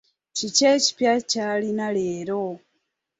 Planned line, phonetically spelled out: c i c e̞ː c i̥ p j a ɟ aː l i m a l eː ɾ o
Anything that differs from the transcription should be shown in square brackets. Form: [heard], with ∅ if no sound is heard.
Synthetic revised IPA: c i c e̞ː c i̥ p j a [c] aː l i [n] a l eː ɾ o